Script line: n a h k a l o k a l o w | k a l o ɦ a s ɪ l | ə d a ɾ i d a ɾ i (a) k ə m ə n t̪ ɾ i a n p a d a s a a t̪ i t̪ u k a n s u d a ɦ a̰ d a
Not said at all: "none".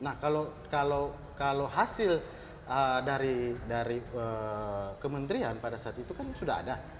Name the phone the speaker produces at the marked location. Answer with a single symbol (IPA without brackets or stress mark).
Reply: ə